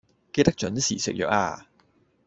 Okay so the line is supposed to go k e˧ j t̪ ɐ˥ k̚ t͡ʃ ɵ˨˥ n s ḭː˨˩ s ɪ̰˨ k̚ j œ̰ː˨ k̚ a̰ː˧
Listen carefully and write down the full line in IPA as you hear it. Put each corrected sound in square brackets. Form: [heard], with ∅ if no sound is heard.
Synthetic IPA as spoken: k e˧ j t̪ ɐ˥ k̚ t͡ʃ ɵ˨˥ n s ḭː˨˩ s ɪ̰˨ k̚ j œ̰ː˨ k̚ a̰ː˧